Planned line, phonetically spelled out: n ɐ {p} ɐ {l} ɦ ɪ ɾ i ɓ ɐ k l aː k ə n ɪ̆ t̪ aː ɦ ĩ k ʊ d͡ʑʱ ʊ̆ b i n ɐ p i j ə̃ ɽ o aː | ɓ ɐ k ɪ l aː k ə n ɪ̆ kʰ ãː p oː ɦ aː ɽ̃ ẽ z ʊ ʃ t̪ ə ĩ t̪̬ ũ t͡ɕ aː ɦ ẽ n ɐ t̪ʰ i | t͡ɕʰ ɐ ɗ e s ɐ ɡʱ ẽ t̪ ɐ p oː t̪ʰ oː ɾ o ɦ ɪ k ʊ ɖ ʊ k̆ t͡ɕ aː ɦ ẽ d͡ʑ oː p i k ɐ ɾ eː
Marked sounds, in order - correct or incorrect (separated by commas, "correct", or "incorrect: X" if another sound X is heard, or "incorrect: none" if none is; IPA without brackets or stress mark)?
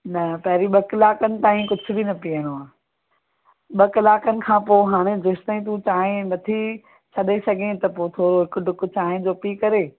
correct, incorrect: none